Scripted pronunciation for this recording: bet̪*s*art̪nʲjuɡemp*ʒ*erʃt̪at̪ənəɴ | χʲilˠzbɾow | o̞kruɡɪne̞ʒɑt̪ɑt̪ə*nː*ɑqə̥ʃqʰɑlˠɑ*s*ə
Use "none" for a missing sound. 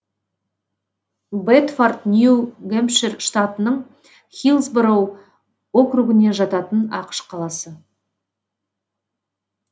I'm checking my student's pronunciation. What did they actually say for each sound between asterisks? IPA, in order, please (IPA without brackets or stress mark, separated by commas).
f, ʃ, n, s